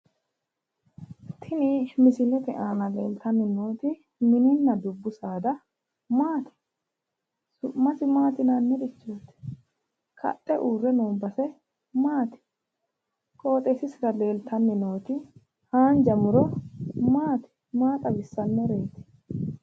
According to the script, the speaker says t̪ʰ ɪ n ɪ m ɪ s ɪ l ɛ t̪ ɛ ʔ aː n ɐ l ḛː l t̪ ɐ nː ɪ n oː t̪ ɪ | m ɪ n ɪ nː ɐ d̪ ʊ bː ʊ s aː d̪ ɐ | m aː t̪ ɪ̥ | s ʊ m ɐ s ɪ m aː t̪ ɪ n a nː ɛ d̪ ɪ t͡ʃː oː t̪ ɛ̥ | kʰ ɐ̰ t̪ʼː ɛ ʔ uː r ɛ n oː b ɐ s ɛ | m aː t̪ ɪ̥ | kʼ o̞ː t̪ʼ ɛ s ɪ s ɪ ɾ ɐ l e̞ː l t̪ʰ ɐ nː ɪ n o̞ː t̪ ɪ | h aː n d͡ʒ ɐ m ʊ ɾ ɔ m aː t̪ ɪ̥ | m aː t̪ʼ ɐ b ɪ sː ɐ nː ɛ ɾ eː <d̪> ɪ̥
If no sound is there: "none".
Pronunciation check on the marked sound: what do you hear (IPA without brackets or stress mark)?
t̪